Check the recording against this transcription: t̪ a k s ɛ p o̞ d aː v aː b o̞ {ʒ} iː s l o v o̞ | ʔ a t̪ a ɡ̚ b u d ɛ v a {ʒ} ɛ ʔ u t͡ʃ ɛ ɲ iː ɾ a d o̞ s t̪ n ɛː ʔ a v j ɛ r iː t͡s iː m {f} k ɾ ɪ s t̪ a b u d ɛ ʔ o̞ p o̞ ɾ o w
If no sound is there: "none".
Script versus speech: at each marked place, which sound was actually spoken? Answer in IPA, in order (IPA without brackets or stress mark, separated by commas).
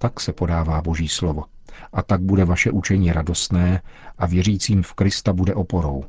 ʒ, ʃ, f